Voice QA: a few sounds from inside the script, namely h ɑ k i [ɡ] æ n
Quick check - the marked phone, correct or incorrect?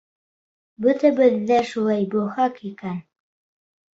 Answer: incorrect